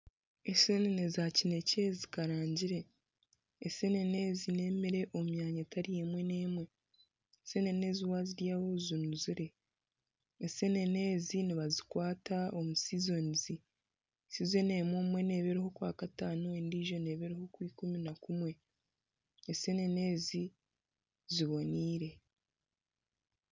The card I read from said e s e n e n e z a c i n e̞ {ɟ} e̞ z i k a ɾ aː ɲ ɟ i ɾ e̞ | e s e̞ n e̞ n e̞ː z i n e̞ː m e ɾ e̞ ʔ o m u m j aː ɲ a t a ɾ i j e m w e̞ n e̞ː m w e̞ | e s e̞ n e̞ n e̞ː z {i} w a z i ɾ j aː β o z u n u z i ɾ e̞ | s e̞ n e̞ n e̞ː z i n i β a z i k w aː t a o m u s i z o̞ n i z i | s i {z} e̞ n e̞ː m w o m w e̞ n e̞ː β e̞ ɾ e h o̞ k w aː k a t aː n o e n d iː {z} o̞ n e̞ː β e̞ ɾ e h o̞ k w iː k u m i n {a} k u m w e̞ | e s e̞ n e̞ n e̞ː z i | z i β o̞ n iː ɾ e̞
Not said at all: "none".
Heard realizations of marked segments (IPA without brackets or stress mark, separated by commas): c, i, z, ʒ, a